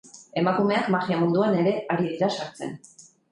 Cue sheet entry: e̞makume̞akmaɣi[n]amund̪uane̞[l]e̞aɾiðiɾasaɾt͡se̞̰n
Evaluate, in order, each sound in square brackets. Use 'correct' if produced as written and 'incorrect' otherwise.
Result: incorrect, incorrect

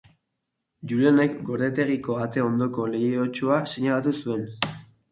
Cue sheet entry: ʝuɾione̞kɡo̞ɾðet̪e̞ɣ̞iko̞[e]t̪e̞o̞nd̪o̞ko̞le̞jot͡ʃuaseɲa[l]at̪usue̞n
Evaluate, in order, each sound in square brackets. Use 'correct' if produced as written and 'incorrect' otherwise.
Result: incorrect, correct

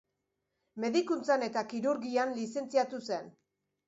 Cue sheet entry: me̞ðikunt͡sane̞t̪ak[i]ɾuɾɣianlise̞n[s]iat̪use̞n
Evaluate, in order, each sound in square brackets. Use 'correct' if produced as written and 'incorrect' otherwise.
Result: correct, incorrect

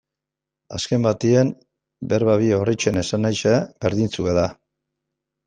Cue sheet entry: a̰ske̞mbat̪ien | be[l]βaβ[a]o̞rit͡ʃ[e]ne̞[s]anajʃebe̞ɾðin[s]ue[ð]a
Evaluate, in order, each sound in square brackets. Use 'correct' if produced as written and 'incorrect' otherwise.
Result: incorrect, incorrect, correct, correct, incorrect, correct

